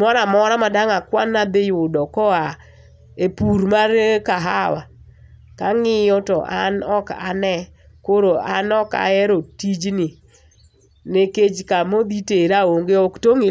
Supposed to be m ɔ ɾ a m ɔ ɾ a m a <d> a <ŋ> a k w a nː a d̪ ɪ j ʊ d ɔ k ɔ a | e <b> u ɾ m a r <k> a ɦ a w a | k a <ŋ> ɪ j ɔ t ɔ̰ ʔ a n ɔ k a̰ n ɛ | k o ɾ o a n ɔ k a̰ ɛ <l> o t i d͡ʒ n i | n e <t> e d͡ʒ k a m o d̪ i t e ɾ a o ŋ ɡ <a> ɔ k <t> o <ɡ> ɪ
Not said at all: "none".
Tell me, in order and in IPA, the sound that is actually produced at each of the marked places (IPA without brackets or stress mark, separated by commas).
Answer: d, ŋ, p, k, ŋ, ɾ, k, e, t, ŋ